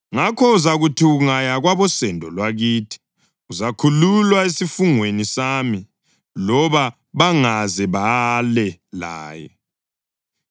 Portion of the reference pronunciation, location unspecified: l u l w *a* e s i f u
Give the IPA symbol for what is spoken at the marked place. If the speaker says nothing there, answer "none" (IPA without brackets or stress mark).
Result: a